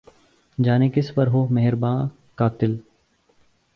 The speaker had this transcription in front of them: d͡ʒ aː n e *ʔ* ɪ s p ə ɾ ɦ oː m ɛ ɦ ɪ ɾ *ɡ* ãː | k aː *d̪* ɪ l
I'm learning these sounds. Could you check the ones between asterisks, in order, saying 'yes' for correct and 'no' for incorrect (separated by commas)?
no, no, no